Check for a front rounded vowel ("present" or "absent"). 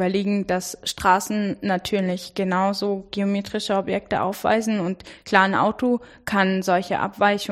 present